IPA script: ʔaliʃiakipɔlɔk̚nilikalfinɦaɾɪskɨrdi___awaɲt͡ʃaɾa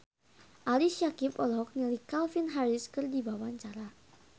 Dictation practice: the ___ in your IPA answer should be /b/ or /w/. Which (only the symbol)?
b